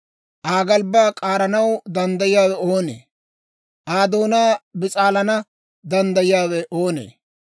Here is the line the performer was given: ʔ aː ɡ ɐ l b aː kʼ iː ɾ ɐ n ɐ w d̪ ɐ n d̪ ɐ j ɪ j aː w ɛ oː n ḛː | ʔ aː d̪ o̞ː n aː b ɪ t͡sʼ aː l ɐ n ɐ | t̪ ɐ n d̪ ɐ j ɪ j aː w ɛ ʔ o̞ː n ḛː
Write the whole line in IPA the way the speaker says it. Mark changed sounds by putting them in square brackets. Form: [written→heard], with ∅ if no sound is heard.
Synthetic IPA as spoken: ʔ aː ɡ ɐ l b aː kʼ [iː→aː] ɾ ɐ n ɐ w d̪ ɐ n d̪ ɐ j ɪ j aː w ɛ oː n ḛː | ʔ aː d̪ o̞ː n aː b ɪ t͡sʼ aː l ɐ n ɐ | [t̪→d̪] ɐ n d̪ ɐ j ɪ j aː w ɛ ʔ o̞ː n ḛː